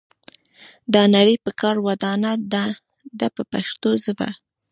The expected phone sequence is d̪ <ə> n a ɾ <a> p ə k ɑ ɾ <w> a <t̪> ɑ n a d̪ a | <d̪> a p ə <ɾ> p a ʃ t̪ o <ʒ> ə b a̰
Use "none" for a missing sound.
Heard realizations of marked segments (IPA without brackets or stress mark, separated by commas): ɑ, i, w, d̪, d̪, none, z